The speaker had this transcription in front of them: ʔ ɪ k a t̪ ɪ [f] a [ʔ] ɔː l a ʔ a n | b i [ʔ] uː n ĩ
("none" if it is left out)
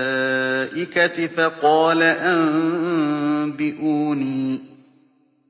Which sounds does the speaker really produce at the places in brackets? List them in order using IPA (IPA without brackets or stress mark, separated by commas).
f, q, ʔ